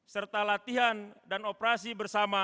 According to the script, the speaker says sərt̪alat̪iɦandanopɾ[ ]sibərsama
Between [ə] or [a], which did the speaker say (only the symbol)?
a